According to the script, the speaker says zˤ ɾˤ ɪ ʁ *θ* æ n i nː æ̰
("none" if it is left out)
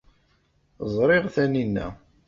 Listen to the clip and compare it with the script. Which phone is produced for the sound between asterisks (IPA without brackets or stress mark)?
θ